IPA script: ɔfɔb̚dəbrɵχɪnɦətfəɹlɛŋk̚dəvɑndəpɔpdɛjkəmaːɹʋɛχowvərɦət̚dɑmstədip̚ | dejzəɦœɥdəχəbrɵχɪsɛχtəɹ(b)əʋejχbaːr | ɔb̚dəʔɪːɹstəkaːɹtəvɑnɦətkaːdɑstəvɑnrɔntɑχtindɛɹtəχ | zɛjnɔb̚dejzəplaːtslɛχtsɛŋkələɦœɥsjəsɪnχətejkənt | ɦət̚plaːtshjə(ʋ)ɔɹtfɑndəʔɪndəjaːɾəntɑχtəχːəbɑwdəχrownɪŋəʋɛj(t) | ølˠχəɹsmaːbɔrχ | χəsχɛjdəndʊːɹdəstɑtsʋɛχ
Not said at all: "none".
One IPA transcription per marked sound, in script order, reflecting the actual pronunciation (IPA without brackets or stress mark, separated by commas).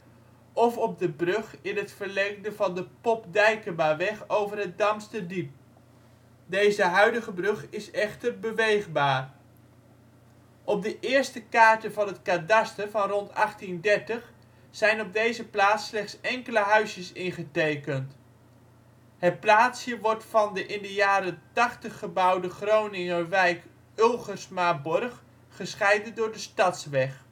b, ʋ, k